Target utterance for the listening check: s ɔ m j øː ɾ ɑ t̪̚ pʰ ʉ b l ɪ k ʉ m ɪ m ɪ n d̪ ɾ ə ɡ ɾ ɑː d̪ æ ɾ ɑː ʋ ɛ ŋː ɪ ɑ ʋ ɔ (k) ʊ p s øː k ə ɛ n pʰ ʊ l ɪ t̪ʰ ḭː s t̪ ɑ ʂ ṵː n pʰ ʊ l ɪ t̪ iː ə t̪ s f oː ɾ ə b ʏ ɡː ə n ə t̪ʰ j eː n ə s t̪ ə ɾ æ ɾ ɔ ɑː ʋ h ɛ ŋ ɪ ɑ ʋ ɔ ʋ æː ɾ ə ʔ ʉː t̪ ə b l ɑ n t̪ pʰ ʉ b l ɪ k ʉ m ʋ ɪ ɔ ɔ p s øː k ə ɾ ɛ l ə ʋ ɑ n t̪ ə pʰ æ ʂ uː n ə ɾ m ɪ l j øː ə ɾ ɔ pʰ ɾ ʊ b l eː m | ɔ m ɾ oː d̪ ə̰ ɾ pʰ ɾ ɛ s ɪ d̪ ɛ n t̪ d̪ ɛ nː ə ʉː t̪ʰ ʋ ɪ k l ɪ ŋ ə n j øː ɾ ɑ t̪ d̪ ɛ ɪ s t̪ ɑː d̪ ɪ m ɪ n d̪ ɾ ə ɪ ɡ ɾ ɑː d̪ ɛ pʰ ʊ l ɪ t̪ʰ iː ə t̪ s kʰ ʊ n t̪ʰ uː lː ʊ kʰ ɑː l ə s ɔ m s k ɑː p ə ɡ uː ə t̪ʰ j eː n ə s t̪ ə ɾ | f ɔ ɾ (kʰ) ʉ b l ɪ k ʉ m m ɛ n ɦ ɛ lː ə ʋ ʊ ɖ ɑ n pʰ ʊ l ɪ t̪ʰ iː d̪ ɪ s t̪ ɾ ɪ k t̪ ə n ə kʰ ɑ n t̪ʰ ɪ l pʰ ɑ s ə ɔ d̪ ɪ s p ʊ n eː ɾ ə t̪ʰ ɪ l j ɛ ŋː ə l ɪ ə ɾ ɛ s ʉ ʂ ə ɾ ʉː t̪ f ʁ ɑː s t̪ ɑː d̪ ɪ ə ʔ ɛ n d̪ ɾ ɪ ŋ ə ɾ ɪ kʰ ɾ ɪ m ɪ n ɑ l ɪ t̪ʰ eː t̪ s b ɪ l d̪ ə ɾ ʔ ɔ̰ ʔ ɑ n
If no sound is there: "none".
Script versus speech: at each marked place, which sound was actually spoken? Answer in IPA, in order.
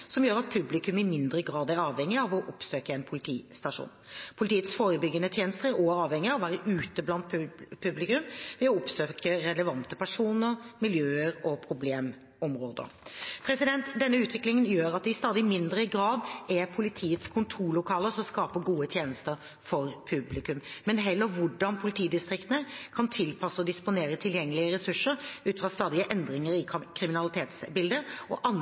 ʔ, pʰ

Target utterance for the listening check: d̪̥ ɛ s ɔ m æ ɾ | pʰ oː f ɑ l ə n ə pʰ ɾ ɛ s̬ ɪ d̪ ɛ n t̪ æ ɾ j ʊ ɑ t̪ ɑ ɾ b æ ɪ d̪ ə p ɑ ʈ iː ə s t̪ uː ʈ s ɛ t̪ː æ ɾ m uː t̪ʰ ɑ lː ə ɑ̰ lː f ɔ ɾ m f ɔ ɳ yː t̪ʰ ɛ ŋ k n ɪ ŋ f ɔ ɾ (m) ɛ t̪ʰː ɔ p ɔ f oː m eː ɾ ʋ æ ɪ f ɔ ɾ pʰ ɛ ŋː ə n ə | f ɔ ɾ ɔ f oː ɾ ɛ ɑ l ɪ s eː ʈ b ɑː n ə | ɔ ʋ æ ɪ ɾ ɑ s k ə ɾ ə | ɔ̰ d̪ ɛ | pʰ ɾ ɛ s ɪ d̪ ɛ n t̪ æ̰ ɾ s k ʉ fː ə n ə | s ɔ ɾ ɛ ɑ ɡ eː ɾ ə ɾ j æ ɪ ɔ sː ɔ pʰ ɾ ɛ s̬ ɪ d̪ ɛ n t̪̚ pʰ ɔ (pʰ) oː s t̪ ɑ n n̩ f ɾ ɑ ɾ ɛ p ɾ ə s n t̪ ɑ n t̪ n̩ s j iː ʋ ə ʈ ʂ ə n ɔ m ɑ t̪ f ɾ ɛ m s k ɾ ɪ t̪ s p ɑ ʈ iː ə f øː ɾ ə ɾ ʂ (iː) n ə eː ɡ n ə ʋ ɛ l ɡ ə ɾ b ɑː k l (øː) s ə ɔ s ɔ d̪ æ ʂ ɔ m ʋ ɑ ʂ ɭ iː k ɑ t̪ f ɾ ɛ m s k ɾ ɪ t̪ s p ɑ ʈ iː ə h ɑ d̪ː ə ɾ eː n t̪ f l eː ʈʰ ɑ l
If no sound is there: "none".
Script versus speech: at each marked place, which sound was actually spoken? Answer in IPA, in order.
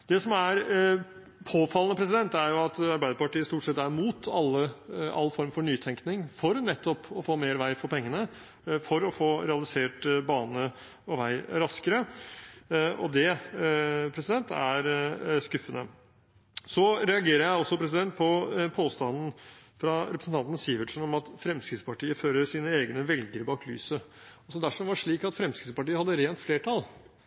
n, pʰ, iː, yː

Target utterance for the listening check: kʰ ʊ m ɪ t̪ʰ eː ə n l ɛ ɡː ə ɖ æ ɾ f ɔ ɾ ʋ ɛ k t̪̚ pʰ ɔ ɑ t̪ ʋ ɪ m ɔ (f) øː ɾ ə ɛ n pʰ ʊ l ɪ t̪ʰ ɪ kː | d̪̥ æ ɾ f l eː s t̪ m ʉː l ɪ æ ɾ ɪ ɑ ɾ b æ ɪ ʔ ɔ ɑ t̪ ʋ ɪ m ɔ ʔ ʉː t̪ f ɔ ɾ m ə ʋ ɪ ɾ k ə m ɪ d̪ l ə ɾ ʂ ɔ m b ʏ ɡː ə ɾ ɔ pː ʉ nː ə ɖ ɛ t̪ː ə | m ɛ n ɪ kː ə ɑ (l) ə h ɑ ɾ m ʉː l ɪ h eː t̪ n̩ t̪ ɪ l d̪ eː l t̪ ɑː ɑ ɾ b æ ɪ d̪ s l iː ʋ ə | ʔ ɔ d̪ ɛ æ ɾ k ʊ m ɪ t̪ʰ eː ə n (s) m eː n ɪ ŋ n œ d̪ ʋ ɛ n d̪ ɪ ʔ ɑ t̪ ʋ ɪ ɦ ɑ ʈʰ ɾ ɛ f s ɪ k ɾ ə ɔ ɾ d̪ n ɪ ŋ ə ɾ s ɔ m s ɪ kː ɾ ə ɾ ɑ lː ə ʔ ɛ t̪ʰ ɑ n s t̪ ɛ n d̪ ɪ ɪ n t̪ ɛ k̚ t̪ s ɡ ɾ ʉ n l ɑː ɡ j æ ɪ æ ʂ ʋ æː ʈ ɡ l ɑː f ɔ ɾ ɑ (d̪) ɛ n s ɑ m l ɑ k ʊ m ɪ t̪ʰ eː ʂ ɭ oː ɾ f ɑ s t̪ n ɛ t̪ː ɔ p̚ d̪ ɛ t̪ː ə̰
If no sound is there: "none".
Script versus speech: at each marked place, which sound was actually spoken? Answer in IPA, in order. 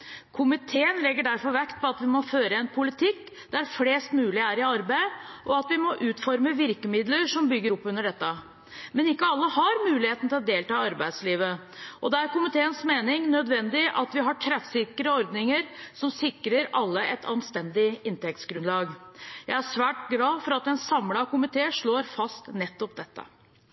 f, lː, s, t̪

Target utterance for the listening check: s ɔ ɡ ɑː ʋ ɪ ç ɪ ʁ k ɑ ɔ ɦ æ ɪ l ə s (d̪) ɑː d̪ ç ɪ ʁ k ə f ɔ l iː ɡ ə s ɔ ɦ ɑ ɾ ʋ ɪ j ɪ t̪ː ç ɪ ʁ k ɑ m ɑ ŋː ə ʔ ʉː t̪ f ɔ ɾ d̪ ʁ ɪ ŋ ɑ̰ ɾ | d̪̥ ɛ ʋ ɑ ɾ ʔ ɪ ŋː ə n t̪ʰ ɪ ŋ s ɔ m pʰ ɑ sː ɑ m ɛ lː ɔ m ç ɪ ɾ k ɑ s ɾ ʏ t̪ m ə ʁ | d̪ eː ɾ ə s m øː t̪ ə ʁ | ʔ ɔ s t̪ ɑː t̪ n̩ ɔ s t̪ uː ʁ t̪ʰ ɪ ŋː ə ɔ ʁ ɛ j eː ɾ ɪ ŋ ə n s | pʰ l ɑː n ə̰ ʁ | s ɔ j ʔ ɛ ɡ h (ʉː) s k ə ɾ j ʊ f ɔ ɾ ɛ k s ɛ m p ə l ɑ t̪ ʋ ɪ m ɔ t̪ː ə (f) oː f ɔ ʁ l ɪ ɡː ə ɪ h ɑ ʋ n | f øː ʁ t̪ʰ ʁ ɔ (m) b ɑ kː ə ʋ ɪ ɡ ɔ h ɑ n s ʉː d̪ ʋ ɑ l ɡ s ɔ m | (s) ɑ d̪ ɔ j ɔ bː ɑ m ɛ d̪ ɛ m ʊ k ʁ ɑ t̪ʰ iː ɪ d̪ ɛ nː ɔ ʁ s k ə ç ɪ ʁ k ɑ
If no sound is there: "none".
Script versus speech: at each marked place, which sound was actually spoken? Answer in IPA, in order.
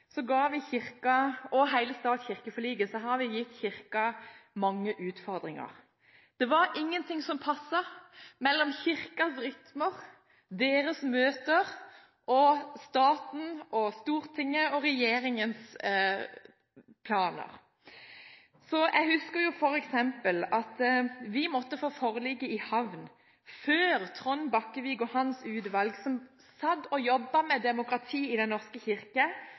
t̪, ʉ, f, n, s

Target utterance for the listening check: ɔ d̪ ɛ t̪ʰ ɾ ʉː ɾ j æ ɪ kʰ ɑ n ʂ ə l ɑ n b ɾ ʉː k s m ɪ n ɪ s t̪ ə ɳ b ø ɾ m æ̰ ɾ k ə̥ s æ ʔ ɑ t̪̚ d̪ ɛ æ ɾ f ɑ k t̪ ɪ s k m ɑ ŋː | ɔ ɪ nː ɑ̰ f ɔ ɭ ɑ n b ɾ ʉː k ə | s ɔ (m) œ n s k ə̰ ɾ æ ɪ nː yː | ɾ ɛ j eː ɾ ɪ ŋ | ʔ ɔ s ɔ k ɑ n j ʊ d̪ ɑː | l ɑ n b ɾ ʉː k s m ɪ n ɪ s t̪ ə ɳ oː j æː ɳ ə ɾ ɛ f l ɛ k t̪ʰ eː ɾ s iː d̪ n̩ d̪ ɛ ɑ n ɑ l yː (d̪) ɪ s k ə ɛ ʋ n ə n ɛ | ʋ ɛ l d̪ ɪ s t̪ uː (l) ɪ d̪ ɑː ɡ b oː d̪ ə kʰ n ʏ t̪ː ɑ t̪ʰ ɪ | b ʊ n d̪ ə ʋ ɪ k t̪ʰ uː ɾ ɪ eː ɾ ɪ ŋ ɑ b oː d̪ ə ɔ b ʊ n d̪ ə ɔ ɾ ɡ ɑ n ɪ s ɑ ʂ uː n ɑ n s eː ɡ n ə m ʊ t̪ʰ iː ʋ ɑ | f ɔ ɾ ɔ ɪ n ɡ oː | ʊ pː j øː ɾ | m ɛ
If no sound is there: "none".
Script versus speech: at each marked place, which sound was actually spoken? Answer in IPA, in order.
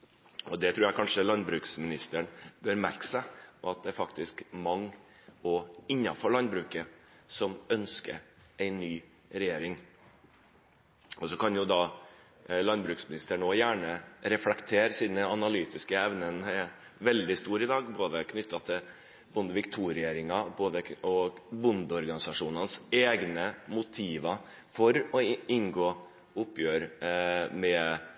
m, t̪, ɾ

